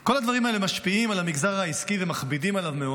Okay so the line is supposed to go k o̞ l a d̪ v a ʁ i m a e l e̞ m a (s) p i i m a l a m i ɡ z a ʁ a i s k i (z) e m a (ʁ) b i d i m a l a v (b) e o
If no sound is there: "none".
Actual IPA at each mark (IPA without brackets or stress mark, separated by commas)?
ʃ, v, χ, m